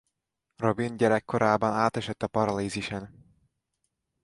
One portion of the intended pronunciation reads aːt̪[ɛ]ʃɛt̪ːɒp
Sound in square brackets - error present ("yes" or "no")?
no